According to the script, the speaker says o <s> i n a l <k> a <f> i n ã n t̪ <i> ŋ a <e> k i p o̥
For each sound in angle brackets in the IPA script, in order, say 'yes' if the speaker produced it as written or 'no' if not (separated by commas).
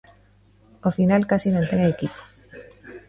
no, yes, no, no, yes